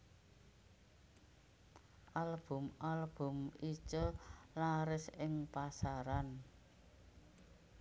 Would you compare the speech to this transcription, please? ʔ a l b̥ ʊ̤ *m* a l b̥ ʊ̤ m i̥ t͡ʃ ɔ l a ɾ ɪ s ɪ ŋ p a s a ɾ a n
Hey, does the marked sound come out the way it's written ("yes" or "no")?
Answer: yes